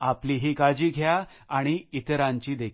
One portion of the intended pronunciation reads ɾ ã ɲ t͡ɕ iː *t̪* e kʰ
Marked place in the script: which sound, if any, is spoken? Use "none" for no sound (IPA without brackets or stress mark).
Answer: d̪